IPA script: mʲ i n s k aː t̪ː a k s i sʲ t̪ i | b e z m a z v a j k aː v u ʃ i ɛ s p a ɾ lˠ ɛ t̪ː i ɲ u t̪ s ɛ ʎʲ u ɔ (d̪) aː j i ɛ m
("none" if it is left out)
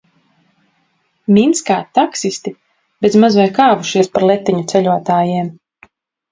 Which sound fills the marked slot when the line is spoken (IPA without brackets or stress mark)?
t̪